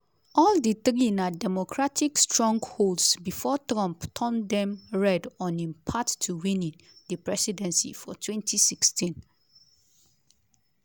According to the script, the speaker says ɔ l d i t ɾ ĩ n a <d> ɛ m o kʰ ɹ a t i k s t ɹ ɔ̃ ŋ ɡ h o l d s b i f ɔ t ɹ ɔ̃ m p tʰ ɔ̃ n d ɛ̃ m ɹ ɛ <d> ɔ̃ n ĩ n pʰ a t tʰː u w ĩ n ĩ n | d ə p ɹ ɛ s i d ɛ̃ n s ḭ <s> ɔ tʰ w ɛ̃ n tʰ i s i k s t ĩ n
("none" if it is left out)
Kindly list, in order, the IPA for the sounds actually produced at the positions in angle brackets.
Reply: d, d, f

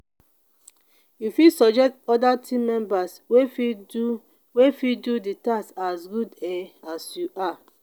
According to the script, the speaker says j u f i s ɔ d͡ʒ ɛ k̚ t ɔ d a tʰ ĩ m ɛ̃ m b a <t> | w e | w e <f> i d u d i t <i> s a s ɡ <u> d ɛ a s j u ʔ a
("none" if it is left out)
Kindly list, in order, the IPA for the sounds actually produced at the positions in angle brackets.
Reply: s, f, a, u

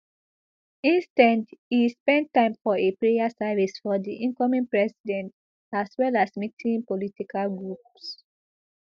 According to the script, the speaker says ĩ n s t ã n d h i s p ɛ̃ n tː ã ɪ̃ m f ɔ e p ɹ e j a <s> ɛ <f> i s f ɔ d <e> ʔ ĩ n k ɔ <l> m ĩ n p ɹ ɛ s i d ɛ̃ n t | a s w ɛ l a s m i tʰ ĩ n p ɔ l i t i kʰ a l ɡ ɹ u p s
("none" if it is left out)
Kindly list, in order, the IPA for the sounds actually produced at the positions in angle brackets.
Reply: s, v, i, none

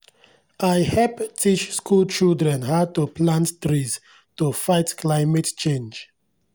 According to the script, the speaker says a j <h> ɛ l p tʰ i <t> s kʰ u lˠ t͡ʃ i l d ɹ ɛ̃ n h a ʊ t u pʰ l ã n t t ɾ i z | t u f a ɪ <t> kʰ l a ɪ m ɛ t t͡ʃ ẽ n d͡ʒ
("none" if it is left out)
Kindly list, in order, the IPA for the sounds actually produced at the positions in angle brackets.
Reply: h, t͡ʃ, t

